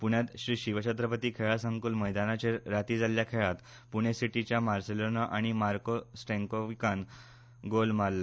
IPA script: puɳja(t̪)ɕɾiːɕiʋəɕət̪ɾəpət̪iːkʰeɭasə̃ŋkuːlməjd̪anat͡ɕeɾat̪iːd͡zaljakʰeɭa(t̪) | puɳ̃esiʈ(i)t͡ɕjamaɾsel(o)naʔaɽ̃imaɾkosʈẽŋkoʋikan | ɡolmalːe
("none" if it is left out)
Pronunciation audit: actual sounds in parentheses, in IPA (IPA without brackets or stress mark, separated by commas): t̪, t̪, i, o